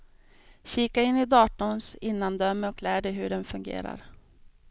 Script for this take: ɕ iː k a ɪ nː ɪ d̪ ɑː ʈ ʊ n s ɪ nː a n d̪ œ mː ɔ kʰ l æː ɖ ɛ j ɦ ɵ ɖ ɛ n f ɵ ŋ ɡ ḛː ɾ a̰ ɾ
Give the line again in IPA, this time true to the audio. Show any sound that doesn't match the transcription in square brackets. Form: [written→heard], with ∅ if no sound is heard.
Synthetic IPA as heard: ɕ iː k a ɪ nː ɪ d̪ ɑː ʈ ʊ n s ɪ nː a n d̪ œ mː ɔ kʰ l æː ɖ ɛ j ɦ ɵ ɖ ɛ n f ɵ ŋ ɡ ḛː ɾ a̰ ɾ